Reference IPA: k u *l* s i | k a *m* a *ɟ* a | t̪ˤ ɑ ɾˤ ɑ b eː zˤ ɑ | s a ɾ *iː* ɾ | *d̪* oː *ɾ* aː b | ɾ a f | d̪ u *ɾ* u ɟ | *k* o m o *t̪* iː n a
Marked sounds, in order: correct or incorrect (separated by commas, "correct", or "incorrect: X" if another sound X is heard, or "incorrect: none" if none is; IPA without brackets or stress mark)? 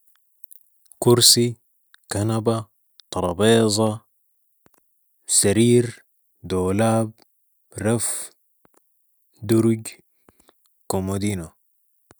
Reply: incorrect: ɾ, incorrect: n, incorrect: b, correct, correct, incorrect: l, correct, correct, incorrect: d̪